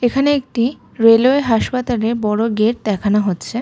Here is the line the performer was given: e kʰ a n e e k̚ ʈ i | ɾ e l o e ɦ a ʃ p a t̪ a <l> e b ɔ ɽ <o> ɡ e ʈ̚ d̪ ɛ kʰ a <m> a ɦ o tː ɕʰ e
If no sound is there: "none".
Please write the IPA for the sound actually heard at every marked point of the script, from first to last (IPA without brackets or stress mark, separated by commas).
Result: l, o, n